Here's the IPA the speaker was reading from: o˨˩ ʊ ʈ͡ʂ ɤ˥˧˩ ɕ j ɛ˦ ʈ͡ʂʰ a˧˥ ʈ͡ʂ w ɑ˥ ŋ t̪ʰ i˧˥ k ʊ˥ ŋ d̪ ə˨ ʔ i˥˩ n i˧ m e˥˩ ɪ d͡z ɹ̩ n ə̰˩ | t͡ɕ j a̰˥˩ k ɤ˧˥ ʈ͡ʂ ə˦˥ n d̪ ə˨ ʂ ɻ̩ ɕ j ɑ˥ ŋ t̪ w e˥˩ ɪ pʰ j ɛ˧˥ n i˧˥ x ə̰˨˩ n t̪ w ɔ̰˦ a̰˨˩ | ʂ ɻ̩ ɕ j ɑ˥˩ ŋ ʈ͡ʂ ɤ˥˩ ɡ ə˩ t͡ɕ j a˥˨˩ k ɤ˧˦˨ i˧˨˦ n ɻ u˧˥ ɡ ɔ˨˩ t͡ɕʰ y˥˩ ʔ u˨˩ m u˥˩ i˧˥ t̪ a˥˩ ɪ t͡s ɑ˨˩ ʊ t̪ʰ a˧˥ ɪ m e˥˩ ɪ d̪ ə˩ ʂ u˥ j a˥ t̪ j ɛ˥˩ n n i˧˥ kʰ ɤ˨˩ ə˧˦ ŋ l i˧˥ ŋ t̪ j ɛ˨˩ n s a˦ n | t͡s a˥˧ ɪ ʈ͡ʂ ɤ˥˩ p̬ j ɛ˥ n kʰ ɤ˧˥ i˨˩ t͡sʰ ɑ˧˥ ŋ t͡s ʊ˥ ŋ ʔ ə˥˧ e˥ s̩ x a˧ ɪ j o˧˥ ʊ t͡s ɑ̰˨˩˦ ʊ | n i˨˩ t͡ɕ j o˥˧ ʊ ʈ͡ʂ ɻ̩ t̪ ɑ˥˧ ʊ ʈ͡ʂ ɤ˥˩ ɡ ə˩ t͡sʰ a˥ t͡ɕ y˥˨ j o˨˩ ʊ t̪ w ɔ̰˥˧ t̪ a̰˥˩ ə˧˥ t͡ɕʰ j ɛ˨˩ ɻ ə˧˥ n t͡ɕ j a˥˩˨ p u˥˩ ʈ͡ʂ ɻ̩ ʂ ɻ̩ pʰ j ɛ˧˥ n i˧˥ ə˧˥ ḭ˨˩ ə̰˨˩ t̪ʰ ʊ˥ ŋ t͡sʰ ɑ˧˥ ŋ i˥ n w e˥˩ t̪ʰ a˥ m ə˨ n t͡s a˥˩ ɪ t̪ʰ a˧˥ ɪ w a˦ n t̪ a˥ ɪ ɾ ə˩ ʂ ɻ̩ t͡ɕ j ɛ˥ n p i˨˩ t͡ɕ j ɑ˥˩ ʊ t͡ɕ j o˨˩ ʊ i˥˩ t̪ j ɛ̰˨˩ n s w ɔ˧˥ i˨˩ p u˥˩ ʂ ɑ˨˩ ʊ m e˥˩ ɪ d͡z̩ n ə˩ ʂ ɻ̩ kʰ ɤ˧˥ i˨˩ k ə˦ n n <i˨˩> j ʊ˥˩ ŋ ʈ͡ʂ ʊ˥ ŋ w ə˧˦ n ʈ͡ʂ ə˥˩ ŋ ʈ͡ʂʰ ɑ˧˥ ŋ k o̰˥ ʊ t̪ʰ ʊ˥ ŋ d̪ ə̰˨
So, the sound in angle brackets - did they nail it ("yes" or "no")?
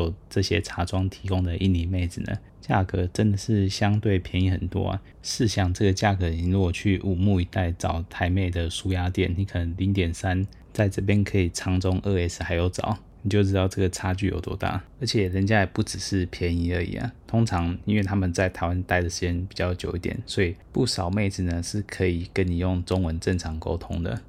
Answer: yes